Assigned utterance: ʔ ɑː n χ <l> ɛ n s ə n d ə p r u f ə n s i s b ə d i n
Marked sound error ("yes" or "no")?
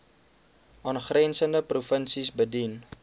yes